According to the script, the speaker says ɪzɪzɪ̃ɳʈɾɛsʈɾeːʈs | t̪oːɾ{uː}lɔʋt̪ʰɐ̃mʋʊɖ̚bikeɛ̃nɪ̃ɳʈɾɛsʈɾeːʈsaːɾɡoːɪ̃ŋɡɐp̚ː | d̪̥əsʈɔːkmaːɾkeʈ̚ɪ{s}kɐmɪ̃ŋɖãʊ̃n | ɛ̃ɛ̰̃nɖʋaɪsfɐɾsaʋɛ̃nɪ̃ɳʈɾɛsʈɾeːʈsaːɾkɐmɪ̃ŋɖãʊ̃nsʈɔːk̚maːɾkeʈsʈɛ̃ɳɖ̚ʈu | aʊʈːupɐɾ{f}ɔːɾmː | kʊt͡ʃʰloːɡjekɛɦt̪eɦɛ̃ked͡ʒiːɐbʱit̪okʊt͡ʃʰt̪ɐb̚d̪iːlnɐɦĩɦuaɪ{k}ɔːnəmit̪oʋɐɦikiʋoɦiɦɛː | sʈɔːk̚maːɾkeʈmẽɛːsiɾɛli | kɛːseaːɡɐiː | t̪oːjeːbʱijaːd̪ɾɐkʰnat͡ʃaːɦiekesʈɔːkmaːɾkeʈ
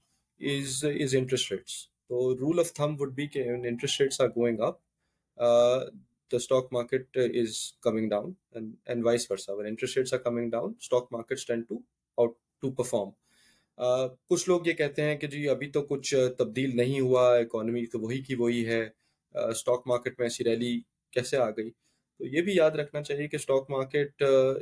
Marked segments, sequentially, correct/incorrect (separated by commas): correct, incorrect, correct, correct